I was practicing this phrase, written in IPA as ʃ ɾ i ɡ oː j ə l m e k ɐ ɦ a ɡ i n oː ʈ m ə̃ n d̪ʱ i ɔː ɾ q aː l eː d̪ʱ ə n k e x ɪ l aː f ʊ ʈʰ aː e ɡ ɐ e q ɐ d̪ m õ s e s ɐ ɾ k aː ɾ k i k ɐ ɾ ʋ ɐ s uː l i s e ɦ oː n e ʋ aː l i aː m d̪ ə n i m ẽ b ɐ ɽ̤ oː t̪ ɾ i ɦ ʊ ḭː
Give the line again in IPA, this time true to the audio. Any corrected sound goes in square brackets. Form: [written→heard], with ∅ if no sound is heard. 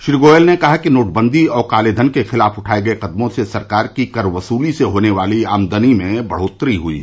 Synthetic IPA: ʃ ɾ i ɡ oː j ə l [m→n] e k ɐ ɦ a [ɡ→k] i n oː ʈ [m→b] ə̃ n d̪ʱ i ɔː ɾ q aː l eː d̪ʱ ə n k e x ɪ l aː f ʊ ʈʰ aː e ɡ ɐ e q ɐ d̪ m õ s e s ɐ ɾ k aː ɾ k i k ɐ ɾ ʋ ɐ s uː l i s e ɦ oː n e ʋ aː l i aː m d̪ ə n i m ẽ b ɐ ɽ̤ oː t̪ ɾ i ɦ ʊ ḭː